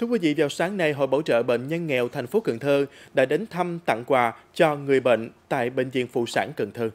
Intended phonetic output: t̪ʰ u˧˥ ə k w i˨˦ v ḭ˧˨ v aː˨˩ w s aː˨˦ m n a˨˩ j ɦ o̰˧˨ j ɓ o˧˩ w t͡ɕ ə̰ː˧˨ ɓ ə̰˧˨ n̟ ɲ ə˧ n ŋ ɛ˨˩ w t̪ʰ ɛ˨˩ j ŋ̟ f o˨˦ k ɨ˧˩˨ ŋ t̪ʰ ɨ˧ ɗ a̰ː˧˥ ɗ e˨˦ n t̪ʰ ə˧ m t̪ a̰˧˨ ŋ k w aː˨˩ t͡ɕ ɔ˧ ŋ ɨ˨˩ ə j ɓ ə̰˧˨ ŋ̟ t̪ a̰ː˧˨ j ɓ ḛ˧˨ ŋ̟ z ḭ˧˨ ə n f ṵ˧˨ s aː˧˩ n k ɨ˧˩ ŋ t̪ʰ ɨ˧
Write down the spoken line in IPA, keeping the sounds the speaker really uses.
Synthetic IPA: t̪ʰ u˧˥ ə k w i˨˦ v ḭ˧˨ v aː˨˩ w s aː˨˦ ŋ n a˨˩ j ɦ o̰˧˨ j ɓ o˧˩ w t͡ɕ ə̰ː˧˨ ɓ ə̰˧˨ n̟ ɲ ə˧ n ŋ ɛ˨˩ w t̪ʰ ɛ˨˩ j ŋ̟ f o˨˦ k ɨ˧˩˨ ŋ t̪ʰ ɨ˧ ɗ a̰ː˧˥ ɗ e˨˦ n t̪ʰ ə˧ m t̪ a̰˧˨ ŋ k w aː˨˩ t͡ɕ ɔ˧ ŋ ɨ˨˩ ə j ɓ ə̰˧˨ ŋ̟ t̪ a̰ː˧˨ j ɓ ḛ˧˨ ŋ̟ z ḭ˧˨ ə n f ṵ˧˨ s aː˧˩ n k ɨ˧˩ ŋ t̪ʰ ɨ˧